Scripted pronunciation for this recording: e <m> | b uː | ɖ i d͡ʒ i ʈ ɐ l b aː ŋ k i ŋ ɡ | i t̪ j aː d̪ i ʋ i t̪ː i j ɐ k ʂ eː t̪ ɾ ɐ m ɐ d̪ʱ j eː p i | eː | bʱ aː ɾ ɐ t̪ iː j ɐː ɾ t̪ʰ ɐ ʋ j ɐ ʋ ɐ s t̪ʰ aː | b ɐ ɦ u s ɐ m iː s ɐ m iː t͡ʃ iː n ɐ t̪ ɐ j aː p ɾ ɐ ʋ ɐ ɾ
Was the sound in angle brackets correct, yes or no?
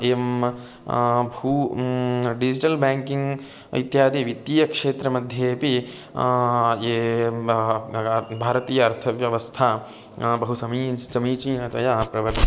yes